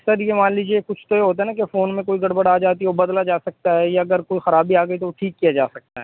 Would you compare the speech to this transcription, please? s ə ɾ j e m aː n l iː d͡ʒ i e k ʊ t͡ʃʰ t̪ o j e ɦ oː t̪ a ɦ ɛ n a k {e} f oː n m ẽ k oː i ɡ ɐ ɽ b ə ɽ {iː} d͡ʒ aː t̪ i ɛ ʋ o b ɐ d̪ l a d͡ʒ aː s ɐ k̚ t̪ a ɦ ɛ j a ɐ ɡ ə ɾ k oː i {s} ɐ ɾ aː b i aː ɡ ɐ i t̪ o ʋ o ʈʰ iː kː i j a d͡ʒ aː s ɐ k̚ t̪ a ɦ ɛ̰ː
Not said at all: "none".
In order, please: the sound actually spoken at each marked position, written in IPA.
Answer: e, aː, x

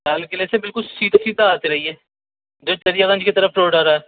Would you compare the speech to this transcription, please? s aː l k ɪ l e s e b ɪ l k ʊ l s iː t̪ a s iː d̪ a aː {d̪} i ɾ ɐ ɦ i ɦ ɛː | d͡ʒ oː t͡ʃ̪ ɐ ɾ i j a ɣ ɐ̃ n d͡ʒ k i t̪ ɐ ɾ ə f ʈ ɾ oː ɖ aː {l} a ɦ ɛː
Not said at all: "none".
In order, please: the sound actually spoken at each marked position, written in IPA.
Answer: t̪, ɾ

